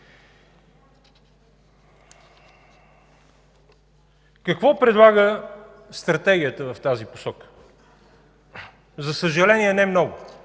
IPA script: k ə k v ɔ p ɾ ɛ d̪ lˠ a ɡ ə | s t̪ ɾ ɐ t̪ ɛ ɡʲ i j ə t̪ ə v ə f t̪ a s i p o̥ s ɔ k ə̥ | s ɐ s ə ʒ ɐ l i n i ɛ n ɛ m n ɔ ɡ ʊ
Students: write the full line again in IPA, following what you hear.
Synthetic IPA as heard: k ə k v ɔ p ɾ ɛ d̪ lˠ a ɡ ə | s t̪ ɾ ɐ t̪ ɛ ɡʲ i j ə t̪ ə v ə f t̪ a z i p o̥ s ɔ k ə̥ | z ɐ s ə ʒ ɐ l ɛ n i ɛ n ɛ m n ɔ ɡ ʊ